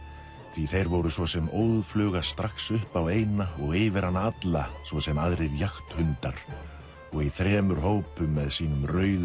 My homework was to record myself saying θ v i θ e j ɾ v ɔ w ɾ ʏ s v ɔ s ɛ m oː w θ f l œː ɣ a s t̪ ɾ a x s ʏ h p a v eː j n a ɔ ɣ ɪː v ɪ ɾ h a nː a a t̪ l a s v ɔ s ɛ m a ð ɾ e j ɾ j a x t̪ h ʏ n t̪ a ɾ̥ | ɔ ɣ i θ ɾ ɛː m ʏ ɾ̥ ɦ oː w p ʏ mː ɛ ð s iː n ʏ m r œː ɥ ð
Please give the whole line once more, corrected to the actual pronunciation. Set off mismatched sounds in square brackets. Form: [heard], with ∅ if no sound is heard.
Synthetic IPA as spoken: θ v i θ e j ɾ v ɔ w ɾ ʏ s v ɔ s ɛ m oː w [ð] f l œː ɣ a s t̪ ɾ a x s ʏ h p a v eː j n a ɔ ɣ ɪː v ɪ ɾ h a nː a a t̪ l a s v ɔ s ɛ m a ð ɾ e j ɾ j a x t̪ h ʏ n t̪ a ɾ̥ | ɔ ɣ i θ ɾ ɛː m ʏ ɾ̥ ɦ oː w p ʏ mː ɛ ð s iː n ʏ m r œː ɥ ð